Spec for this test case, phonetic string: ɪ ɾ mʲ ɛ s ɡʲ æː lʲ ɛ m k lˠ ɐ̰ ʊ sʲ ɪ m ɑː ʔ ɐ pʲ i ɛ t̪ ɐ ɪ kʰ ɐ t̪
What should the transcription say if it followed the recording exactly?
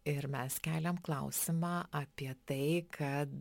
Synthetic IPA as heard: ɪ ɾ mʲ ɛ s kʲ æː lʲ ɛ m k lˠ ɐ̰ ʊ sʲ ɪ m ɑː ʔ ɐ pʲ i ɛ t̪ ɐ ɪ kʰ ɐ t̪